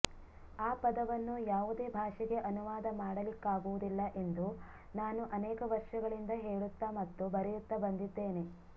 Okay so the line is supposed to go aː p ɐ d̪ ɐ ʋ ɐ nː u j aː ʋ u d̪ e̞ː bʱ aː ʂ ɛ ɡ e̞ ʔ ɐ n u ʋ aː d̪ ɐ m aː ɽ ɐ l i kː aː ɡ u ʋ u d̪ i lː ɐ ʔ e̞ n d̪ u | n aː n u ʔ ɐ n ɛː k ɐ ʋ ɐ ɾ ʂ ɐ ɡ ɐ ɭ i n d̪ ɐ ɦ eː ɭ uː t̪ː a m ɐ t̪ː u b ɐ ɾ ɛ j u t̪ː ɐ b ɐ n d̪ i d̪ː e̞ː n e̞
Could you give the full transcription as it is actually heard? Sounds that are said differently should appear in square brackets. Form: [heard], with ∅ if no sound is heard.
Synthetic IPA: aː p ɐ d̪ ɐ ʋ ɐ nː u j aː ʋ u d̪ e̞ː bʱ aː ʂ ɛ ɡ e̞ ʔ ɐ n u ʋ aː d̪ ɐ m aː ɽ ɐ l i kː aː ɡ u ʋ u d̪ i lː ɐ ʔ e̞ n d̪ u | n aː n u ʔ ɐ n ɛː k ɐ ʋ ɐ ɾ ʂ ɐ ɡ ɐ ɭ i n d̪ ɐ ɦ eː ɭ [u] t̪ː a m ɐ t̪ː u b ɐ ɾ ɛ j u t̪ː ɐ b ɐ n d̪ i d̪ː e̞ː n e̞